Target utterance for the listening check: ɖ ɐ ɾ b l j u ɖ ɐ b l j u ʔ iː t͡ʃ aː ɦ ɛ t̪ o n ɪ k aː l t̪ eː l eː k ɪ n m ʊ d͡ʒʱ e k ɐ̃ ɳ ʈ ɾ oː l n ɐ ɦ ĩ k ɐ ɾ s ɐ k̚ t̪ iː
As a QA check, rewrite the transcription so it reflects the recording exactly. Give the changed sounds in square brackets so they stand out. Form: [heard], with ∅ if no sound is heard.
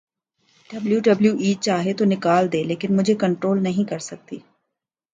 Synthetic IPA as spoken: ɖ ɐ [∅] b l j u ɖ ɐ b l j u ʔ iː t͡ʃ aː ɦ [e] t̪ o n ɪ k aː l [d̪] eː l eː k ɪ n m ʊ d͡ʒʱ e k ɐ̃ ɳ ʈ ɾ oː l n ɐ ɦ ĩ k ɐ ɾ s ɐ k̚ t̪ iː

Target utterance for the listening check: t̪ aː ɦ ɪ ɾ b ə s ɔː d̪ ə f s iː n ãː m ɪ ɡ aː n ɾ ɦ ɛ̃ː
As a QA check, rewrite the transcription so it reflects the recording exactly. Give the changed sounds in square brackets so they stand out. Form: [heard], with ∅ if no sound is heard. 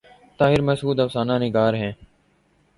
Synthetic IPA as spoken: t̪ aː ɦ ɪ ɾ [m] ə s [uː] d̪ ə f s [aː] n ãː [n] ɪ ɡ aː [∅] ɾ ɦ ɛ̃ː

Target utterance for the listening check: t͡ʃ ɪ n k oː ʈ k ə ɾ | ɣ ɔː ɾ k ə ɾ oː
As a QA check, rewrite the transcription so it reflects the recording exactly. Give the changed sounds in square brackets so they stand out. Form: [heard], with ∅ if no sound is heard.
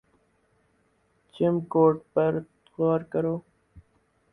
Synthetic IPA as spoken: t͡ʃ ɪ [m] k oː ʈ [p] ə ɾ | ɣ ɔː ɾ k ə ɾ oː

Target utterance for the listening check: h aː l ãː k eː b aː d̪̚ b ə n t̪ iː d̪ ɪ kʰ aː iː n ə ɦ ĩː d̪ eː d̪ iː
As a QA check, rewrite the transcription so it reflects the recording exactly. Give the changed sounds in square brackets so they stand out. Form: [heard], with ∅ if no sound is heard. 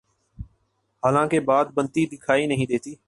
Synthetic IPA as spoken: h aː l ãː k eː b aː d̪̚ b ə n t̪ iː d̪ ɪ kʰ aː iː n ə ɦ ĩː d̪ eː [t̪] iː

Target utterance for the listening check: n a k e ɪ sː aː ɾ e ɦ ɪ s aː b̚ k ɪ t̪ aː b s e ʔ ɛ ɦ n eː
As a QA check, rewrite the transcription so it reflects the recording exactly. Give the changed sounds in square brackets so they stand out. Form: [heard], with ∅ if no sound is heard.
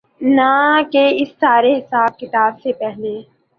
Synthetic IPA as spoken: n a k e ɪ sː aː ɾ e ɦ ɪ s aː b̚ k ɪ t̪ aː b s e [p] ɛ ɦ n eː

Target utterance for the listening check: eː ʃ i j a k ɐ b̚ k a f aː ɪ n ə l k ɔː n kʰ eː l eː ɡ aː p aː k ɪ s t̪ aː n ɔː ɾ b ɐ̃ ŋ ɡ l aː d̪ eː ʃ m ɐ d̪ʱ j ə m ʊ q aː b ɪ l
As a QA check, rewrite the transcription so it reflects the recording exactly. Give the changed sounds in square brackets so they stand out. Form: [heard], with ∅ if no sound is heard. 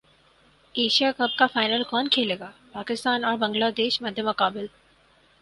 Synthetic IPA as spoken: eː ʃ i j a k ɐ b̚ k a f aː ɪ n ə l k ɔː n kʰ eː l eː ɡ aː p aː k ɪ s t̪ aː n ɔː ɾ b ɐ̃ ŋ ɡ l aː d̪ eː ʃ m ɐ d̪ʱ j ə m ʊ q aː b ɪ l

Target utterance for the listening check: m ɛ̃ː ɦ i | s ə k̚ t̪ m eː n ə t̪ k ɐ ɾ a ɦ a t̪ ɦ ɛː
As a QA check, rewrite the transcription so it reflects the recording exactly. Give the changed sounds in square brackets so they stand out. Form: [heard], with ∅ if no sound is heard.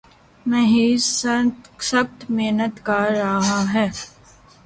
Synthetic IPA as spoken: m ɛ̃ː ɦ i | s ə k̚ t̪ m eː n ə t̪ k [a] ɾ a ɦ a [∅] ɦ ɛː

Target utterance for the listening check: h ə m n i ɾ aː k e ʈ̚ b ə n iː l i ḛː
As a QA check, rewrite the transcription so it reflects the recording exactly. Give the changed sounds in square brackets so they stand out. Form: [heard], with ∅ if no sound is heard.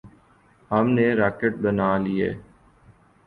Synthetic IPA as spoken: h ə m n [e] ɾ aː k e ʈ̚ b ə n [aː] l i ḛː

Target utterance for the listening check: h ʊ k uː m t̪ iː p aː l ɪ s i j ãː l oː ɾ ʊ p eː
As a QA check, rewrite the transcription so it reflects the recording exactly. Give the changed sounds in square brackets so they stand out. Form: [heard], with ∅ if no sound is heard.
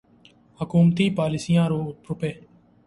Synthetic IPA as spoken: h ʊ k uː m t̪ iː p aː l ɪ s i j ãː [ɾ] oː ɾ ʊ p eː

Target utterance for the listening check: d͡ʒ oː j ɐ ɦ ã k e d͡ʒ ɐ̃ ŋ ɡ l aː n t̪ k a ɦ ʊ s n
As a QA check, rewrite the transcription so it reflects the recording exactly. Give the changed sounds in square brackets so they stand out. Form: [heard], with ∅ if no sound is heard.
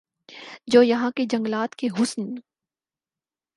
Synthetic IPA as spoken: d͡ʒ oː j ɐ ɦ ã k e d͡ʒ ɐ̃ ŋ ɡ l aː [∅] t̪ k [e] ɦ ʊ s n

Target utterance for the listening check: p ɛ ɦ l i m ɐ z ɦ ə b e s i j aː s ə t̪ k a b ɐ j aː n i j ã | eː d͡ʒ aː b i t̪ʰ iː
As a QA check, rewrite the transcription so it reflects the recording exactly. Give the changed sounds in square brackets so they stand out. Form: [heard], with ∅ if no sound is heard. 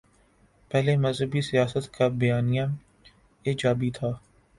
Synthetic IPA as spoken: p ɛ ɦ l [e] m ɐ z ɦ ə b [i] s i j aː s ə t̪ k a b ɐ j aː n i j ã | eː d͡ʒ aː b i t̪ʰ [aː]

